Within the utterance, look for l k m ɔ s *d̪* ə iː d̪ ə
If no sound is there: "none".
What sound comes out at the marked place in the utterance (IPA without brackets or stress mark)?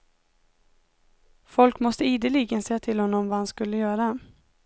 t̪